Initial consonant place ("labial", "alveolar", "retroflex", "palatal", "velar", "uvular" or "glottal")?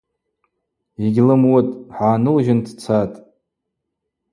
velar